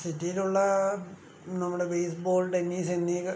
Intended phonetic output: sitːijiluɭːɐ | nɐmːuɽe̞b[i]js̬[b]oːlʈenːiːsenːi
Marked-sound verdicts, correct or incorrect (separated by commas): incorrect, correct